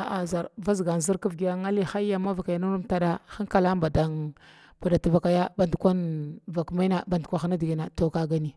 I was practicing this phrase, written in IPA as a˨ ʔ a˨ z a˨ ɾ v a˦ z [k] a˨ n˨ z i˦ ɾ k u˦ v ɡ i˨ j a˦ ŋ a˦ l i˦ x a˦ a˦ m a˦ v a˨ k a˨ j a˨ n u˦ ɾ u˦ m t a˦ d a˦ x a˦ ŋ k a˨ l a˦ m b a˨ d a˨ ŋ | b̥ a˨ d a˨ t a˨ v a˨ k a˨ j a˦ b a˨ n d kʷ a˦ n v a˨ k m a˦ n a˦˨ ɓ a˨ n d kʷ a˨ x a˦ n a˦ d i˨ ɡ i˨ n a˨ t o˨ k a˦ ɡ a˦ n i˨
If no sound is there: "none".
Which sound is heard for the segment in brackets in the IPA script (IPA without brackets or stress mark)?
ɡ